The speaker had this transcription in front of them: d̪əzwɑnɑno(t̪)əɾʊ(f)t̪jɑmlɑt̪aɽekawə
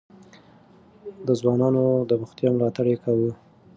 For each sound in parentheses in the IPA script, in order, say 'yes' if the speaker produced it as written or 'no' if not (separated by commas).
no, no